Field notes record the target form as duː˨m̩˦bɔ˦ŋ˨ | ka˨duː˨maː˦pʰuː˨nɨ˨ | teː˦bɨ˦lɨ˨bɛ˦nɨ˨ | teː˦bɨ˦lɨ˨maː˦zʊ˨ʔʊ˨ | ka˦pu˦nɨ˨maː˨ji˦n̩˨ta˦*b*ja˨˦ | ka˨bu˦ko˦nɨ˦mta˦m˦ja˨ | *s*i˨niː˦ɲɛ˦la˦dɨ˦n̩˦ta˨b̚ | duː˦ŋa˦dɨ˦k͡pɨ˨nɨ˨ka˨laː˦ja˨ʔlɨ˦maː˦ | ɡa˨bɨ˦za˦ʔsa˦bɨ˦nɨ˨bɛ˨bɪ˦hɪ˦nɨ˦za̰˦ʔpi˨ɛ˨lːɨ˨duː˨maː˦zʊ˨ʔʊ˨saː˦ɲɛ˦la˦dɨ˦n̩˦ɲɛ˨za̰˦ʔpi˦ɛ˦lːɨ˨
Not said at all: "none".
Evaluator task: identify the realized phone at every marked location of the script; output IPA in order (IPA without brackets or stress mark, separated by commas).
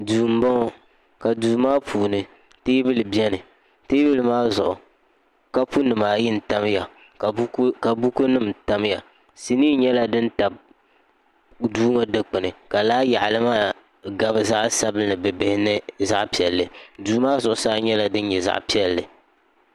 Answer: m, s